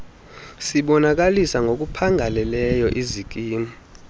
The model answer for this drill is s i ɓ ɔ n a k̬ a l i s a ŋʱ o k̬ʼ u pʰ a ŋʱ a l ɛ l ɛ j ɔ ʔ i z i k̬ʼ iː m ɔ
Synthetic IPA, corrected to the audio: s i ɓ ɔ n a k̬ a l i s a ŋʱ o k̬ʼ u pʰ a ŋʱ a l ɛ l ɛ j ɔ ʔ i z i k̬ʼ iː m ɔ